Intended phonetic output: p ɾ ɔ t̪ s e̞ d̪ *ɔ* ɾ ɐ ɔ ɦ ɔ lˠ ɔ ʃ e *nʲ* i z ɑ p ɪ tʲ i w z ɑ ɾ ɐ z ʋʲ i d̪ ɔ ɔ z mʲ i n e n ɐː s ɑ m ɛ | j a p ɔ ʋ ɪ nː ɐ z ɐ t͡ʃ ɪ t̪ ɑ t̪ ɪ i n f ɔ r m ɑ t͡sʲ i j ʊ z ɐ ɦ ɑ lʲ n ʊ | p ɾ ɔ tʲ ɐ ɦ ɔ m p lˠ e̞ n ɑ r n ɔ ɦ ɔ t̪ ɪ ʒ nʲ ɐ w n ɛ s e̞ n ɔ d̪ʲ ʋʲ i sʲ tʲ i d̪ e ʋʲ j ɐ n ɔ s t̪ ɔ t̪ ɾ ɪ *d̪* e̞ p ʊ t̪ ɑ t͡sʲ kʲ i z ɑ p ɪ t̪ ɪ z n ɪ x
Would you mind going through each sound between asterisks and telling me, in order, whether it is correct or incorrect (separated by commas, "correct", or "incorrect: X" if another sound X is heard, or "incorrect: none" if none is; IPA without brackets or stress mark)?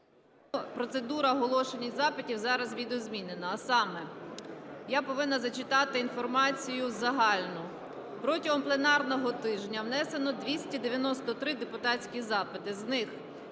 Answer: incorrect: u, correct, correct